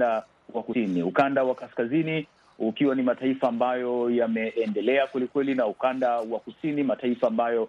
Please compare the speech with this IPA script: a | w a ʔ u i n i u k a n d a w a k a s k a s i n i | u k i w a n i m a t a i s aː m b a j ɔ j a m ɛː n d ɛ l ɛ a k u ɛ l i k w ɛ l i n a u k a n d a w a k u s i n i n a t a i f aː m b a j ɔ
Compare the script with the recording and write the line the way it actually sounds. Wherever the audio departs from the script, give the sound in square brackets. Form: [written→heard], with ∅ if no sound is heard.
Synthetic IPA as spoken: a | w a [ʔ→k] u i n i u k a n d a w a k a s k a [s→z] i n i | u k i w a n i m a t a i [s→f] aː m b a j ɔ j a m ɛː n d ɛ l ɛ a k [u→w] ɛ l i k w ɛ l i n a u k a n d a w a k u s i n i [n→m] a t a i f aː m b a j ɔ